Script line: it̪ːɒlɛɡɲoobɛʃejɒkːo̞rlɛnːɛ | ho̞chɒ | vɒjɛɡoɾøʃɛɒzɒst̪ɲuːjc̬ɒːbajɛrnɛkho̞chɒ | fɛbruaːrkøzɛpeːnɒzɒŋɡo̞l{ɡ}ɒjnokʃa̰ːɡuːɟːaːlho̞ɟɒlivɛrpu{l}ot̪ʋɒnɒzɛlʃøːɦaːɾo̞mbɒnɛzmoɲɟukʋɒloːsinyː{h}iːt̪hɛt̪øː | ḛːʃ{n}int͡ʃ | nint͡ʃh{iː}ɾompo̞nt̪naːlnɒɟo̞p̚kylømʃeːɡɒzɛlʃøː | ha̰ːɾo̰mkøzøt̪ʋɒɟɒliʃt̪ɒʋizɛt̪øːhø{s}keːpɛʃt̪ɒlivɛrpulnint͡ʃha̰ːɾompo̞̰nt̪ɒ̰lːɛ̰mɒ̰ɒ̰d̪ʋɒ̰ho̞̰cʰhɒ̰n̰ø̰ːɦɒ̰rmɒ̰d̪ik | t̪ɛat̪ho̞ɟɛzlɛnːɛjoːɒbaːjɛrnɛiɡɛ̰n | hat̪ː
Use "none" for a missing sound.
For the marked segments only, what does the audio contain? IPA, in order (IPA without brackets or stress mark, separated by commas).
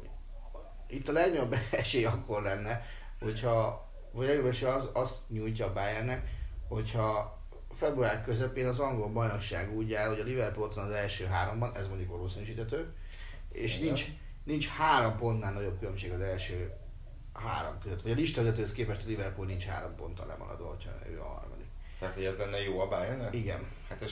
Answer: b, l, ʃ, n, aː, s